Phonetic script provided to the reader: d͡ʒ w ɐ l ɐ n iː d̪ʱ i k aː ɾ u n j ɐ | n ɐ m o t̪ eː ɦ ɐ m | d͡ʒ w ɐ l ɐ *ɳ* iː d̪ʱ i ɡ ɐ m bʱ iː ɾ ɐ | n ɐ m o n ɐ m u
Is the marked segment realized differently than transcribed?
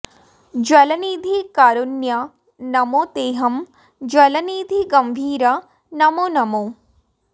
yes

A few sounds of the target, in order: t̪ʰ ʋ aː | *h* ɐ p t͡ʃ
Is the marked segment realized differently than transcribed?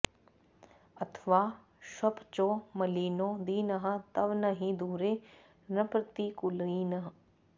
yes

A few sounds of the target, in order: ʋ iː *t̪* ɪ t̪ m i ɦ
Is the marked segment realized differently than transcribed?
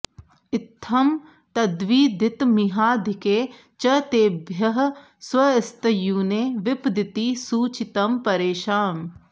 yes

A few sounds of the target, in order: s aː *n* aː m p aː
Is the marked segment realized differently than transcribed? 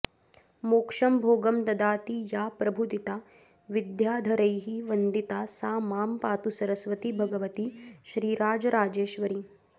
yes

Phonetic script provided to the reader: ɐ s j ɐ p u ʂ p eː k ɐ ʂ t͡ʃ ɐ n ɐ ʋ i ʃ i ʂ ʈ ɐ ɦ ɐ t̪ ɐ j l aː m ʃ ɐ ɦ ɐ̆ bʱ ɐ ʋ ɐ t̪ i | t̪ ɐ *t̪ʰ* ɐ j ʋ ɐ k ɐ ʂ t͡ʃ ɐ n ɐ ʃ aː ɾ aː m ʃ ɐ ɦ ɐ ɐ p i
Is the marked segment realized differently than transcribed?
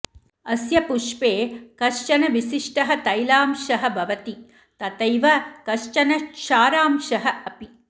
yes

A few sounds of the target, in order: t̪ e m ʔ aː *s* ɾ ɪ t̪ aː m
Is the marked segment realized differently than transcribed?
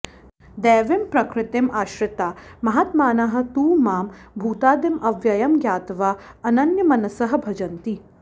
yes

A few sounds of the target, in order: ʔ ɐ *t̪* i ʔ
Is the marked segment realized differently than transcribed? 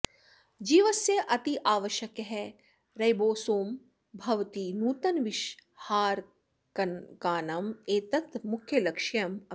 no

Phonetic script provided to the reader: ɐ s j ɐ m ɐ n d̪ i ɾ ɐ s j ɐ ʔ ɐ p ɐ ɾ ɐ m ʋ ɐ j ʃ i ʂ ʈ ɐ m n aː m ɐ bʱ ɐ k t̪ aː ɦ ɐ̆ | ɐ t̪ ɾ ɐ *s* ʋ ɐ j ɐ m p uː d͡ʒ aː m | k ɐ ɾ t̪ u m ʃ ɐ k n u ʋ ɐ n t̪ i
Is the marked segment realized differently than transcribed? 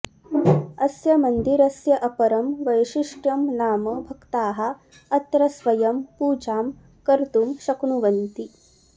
no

